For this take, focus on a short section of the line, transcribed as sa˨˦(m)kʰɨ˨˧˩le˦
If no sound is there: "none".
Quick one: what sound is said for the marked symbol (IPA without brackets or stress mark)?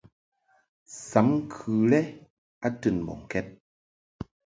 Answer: m